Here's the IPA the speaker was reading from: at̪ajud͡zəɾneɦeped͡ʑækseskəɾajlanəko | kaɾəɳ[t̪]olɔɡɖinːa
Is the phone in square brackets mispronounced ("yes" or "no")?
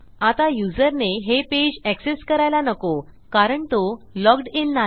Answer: no